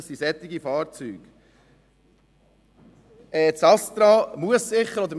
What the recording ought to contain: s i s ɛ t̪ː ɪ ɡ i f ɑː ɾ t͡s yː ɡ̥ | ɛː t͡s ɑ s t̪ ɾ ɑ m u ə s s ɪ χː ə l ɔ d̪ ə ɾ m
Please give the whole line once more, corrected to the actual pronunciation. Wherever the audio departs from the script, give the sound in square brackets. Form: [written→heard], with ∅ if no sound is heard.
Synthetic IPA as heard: s i s ɛ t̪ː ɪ ɡ i f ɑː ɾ t͡s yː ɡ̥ | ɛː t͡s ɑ s t̪ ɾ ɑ m u ə s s ɪ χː ə [l→ɾ] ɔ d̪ ə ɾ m